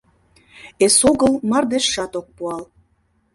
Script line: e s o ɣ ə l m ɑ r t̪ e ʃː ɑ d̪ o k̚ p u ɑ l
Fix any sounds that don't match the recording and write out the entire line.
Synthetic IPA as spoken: e s o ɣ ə l m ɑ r d̪ e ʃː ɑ t̪ o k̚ p u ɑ l

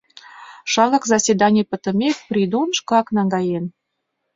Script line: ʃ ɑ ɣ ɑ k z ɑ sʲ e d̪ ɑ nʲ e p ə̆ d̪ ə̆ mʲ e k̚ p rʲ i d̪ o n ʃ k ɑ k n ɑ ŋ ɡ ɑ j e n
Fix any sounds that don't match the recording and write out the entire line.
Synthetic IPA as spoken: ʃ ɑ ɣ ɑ k z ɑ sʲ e d̪ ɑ nʲ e p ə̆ t̪ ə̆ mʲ e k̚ p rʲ i d̪ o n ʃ k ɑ k n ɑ ŋ ɡ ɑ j e n

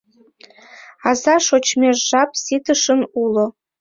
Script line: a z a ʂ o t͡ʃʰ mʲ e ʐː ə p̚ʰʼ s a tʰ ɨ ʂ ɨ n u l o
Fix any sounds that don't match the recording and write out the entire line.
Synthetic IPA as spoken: a z a ʂ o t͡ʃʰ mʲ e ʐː a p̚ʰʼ s i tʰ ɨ ʂ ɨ n u l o

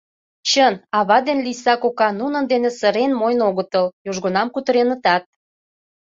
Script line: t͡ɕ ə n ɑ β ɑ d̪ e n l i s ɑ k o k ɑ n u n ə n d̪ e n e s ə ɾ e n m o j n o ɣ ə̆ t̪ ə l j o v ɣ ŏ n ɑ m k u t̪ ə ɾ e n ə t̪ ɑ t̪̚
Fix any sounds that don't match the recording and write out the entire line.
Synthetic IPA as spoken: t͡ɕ ə n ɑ β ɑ d̪ e n l i s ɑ k o k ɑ n u n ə n d̪ e n e s ə ɾ e n m o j n o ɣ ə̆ t̪ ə l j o ʒ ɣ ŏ n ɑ m k u t̪ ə ɾ e n ə t̪ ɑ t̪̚

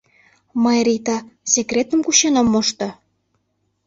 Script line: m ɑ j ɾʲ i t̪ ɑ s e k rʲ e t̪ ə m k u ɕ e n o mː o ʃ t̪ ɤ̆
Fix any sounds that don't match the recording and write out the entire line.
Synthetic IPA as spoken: m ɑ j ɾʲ i t̪ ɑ s e k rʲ e t̪ ə m k u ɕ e n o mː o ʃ t̪ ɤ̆

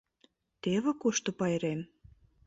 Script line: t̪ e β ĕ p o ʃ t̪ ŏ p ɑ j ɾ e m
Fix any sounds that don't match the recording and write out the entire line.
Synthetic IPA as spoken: t̪ e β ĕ k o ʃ t̪ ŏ p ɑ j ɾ e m

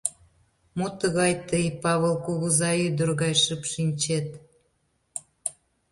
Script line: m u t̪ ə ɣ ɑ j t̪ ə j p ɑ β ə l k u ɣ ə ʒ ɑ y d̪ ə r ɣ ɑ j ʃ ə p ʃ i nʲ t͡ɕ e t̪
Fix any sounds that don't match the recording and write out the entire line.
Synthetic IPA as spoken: m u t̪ ə ɣ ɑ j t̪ ə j p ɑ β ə l k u ɣ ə z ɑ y d̪ ə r ɣ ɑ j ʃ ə p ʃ i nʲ t͡ɕ e t̪

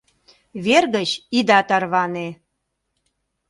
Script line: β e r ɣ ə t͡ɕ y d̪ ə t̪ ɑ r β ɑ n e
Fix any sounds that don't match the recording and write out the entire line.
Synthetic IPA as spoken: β e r ɣ ə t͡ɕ i d̪ ɑ t̪ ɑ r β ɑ n e

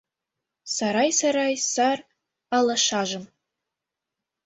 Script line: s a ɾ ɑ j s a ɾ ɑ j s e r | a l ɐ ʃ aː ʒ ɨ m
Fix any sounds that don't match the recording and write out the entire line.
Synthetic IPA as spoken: s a ɾ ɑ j s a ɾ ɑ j s a r | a l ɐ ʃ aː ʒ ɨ m

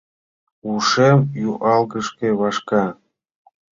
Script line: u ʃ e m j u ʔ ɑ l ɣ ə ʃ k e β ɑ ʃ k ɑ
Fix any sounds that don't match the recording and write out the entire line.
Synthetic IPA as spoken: u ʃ e m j u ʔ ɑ l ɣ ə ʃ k e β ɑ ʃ k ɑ

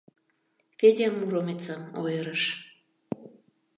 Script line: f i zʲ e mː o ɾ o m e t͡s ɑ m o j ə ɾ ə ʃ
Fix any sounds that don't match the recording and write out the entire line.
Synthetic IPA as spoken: f e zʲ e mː u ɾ o m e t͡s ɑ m o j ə ɾ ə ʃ

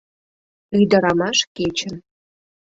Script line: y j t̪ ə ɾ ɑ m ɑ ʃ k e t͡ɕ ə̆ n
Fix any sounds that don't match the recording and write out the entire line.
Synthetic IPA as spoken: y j d̪ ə ɾ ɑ m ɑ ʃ k e t͡ɕ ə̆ n

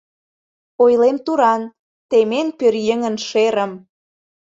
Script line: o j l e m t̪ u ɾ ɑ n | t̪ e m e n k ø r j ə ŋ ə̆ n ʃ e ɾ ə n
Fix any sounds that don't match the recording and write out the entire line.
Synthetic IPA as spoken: o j l e m t̪ u ɾ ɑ n | t̪ e m e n p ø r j ə ŋ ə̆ n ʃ e ɾ ə m

